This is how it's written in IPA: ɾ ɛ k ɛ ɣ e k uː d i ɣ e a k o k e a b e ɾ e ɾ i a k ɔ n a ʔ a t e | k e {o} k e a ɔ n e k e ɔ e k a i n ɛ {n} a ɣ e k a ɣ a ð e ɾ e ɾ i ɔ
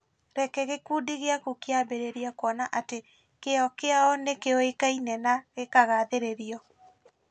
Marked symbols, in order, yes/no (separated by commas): no, yes